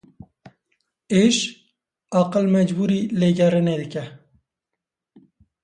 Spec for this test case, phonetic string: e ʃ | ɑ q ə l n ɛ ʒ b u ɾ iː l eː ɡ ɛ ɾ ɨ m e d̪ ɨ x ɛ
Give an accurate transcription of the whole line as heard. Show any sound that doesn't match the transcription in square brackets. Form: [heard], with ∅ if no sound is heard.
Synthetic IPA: e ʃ | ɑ q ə l [m] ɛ [d͡ʒ] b u ɾ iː l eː ɡ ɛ ɾ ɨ [n] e d̪ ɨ [k] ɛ